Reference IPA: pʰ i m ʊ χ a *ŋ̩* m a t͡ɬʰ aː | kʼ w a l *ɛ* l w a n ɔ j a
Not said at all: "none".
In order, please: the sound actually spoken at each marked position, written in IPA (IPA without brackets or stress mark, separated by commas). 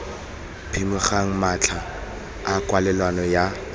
ŋ̩, ɛ